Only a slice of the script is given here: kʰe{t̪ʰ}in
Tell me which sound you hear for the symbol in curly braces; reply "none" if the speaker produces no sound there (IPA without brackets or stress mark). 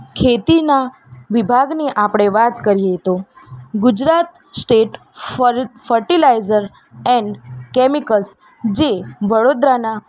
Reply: t̪